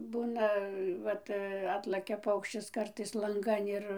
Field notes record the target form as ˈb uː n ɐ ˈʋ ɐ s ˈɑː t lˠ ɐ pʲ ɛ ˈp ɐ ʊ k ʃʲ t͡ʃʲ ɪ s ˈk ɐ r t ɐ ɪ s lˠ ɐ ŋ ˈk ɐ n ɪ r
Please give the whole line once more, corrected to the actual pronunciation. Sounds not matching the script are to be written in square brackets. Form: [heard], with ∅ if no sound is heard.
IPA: ˈb uː n ɐ ˈʋ ɐ [t] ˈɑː t lˠ ɐ [kʲ] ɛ ˈp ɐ ʊ k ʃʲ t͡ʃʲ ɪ s ˈk ɐ r t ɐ ɪ s lˠ ɐ ŋ [ˈɡ] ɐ n ɪ r